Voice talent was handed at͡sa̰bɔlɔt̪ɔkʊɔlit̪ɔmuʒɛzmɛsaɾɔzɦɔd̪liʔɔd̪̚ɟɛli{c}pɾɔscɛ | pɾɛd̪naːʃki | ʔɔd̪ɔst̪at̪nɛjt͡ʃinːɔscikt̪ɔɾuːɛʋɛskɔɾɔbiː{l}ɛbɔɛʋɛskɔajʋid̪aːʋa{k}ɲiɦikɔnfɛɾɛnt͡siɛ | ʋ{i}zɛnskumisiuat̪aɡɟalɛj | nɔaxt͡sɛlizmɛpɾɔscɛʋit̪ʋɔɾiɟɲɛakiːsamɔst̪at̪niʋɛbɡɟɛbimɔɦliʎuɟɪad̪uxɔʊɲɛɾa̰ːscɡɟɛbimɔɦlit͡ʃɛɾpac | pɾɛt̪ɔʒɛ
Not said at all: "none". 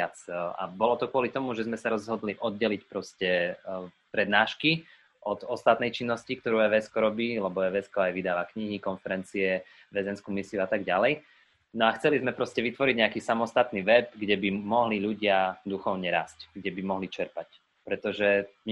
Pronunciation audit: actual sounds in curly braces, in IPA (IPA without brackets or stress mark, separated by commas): c, l, k, ɛ